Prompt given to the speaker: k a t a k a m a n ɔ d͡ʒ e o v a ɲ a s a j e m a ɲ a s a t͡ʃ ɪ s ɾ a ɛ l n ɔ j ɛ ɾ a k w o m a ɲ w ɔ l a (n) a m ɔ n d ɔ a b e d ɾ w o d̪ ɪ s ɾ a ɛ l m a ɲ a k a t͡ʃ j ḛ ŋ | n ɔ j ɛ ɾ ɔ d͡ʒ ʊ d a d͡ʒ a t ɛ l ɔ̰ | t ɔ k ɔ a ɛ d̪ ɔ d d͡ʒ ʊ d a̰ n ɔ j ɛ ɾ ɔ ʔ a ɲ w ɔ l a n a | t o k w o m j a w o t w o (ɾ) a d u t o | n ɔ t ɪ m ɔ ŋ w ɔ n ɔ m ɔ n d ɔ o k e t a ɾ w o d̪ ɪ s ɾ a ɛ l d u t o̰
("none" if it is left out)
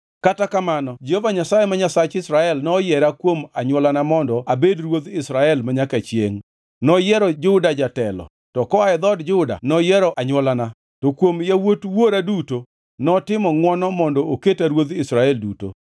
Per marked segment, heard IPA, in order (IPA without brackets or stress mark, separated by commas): n, ɾ